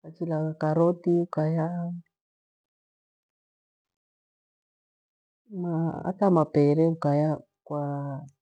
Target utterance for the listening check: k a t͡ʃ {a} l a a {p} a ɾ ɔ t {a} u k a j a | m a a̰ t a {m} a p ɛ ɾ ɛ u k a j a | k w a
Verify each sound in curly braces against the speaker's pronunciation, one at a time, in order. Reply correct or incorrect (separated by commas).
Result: incorrect, incorrect, incorrect, correct